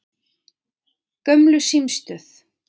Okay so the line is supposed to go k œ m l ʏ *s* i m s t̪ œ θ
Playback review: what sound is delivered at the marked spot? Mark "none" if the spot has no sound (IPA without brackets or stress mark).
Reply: s